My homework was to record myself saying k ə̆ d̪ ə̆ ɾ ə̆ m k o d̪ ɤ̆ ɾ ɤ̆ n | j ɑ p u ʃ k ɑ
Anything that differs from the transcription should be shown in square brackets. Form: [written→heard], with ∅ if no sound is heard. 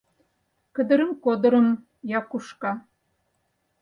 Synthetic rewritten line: k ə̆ d̪ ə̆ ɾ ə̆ m k o d̪ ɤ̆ ɾ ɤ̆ [n→m] | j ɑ [p→k] u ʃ k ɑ